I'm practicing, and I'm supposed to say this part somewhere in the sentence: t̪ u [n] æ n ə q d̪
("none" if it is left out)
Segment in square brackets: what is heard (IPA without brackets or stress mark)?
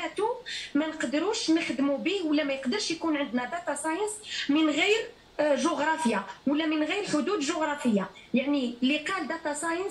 m